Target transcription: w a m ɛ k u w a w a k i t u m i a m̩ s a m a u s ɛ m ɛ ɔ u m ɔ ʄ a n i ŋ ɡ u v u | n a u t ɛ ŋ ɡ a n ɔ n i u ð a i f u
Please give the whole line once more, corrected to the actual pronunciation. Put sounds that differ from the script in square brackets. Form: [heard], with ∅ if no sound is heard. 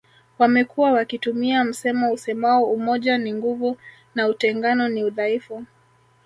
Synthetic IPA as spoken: w a m ɛ k u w a w a k i t u m i a m̩ s [ɛ] m a u s ɛ m [a] ɔ u m ɔ ʄ a n i ŋ ɡ u v u | n a u t ɛ ŋ ɡ a n ɔ n i u ð a i f u